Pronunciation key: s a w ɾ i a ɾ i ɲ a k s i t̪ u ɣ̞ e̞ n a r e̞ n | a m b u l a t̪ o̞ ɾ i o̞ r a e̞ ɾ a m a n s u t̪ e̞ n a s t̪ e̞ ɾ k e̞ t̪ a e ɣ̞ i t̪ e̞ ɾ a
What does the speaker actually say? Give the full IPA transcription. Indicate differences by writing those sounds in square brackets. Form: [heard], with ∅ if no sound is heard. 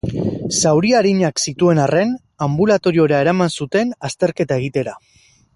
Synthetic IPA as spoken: s a w ɾ i a ɾ i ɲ a k s i t̪ u [∅] e̞ n a r e̞ n | a m b u l a t̪ o̞ ɾ i o̞ [ɾ] a e̞ ɾ a m a n s u t̪ e̞ n a s t̪ e̞ ɾ k e̞ t̪ a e ɣ̞ i t̪ e̞ ɾ a